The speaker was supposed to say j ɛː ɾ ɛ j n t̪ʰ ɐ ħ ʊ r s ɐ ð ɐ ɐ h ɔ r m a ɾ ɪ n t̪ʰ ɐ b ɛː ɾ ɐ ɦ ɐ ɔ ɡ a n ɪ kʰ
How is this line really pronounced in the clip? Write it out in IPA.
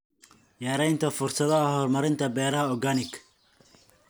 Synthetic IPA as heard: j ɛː ɾ ɛ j n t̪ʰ ɐ f ʊ r s ɐ ð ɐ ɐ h ɔ r m ɐ ɾ ɪ n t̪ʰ ɐ b ɛː ɾ ɐ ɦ ɐ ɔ ɡ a n ɪ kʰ